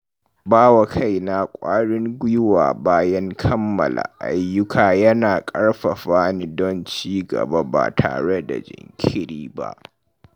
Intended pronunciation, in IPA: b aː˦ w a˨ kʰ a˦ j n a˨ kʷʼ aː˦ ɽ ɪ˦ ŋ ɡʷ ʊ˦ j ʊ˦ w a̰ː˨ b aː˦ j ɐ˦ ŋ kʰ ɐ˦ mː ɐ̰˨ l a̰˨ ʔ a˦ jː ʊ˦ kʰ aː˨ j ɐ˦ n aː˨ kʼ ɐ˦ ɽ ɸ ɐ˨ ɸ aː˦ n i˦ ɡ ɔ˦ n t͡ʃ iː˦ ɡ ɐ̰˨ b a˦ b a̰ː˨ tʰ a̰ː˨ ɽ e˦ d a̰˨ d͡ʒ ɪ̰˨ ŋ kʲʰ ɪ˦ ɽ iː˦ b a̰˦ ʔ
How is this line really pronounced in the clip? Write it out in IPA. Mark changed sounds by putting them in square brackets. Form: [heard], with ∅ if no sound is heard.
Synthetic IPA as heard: b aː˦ w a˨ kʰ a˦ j n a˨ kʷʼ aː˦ ɽ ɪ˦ ŋ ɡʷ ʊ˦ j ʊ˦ w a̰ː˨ b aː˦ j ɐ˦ ŋ kʰ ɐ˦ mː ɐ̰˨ l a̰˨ ʔ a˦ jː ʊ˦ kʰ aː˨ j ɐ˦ n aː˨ kʼ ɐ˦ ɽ ɸ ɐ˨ ɸ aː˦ n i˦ [d] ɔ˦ n t͡ʃ iː˦ ɡ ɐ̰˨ b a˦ b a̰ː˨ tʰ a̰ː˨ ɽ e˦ d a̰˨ d͡ʒ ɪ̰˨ ŋ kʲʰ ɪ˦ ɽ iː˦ b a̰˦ ʔ